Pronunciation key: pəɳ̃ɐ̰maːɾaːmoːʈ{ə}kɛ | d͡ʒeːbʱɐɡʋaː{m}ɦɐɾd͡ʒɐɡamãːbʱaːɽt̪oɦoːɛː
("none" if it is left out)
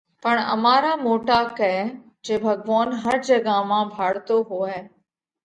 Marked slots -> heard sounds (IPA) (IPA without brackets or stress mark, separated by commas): a, n